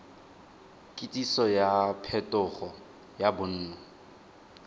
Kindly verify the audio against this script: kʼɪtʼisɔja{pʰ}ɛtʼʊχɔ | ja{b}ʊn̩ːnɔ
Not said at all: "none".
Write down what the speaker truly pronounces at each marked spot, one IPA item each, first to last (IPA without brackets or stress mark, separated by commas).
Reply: pʰ, b